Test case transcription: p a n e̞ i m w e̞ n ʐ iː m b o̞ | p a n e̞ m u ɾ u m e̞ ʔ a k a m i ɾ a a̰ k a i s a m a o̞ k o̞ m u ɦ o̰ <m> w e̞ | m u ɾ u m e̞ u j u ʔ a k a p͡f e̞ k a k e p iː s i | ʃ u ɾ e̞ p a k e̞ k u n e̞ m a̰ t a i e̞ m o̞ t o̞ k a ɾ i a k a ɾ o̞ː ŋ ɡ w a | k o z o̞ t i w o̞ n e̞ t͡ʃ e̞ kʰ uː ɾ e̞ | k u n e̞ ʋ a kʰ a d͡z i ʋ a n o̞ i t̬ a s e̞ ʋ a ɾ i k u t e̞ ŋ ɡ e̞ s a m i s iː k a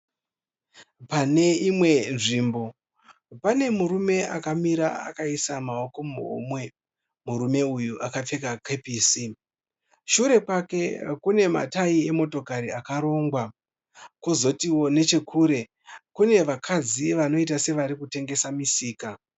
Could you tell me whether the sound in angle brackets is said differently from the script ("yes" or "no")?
no